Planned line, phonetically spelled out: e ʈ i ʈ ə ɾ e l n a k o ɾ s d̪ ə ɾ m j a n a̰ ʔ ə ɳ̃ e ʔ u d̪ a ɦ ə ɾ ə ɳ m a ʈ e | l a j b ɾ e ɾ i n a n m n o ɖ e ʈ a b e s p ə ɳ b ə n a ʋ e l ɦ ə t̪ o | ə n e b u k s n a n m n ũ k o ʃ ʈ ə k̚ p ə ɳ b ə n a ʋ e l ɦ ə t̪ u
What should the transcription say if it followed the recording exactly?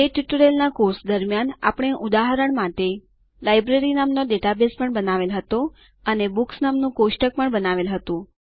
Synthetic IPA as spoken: e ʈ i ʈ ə ɾ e l n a k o ɾ s d̪ ə ɾ m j a n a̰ p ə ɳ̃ e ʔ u d̪ a ɦ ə ɾ ə ɳ m a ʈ e | l a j b ɾ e ɾ i n a m n o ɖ e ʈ a b e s p ə ɳ b ə n a ʋ e l ɦ ə t̪ o | ə n e b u k s n a m n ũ k o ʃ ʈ ə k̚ p ə ɳ b ə n a ʋ e l ɦ ə t̪ ũ